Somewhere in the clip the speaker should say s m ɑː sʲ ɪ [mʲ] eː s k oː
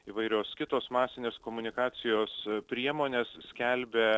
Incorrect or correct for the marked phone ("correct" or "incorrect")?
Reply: incorrect